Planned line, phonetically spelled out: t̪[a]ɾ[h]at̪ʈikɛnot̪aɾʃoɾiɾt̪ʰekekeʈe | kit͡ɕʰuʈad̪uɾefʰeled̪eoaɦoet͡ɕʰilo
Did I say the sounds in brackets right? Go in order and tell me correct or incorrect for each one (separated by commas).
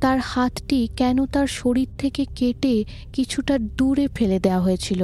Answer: correct, correct